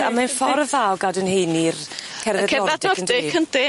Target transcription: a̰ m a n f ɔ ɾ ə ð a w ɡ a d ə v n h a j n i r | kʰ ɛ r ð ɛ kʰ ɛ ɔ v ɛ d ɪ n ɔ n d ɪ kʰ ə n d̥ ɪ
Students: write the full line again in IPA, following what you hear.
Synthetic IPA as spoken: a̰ m a n f ɔ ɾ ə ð a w ɡ a d ə n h e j n i r | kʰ ɛ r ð ɛ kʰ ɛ ɔ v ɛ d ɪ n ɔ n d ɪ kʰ ə n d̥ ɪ